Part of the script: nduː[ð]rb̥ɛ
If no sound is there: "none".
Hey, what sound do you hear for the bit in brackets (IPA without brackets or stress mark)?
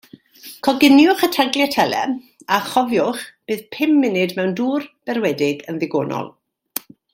none